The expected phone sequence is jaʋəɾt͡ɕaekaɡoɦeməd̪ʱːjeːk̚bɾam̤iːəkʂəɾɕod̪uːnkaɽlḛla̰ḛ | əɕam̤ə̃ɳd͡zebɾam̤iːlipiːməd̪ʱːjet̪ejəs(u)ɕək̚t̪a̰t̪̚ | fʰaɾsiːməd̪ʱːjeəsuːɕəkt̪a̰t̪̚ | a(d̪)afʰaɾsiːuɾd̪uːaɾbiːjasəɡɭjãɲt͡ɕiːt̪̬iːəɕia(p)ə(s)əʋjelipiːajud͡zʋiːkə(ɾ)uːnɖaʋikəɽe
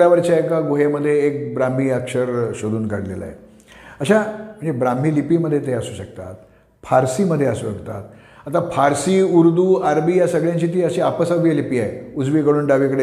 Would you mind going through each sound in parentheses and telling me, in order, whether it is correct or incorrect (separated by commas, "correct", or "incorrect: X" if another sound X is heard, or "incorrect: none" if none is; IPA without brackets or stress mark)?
incorrect: uː, incorrect: t̪, correct, correct, incorrect: ɽ